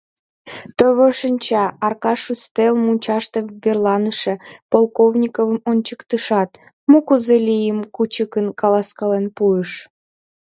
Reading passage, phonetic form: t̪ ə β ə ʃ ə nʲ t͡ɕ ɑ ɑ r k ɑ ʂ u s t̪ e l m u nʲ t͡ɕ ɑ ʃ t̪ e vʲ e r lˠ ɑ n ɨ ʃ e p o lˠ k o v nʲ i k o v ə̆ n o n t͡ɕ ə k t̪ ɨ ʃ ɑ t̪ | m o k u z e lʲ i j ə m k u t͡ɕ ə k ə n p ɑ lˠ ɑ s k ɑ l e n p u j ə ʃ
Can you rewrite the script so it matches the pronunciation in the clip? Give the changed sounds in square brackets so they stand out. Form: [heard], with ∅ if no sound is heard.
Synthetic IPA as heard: t̪ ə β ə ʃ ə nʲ t͡ɕ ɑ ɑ r k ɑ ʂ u s t̪ e l m u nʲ t͡ɕ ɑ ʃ t̪ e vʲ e r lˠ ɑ n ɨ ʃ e p o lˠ k o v nʲ i k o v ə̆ [m] o n t͡ɕ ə k t̪ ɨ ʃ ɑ t̪ | m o k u z e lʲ i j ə m k u t͡ɕ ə k ə n [k] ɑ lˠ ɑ s k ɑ l e n p u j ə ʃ